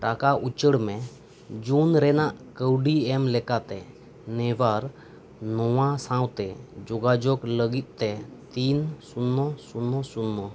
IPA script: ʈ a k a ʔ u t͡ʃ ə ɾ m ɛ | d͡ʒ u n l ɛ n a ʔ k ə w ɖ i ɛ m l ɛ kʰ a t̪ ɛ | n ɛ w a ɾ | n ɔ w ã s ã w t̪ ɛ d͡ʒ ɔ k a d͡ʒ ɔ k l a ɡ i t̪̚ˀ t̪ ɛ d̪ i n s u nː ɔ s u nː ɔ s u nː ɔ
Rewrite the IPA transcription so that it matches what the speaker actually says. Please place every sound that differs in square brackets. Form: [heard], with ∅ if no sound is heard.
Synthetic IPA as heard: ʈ a k a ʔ u t͡ʃ ə [ɽ] m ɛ | d͡ʒ u n [ɾ] ɛ n a ʔ k ə w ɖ i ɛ m l ɛ [k] a t̪ ɛ | n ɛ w a ɾ | n ɔ w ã s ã w t̪ ɛ d͡ʒ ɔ [ɡ] a d͡ʒ ɔ k l [ə] ɡ i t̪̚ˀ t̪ ɛ [t̪] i n s u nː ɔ s u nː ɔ s u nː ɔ